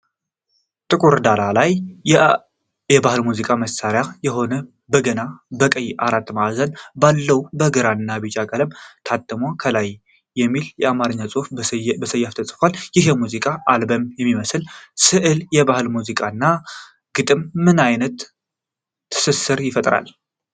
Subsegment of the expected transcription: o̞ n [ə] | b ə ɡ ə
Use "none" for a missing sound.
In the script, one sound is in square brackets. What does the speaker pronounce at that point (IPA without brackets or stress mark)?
ə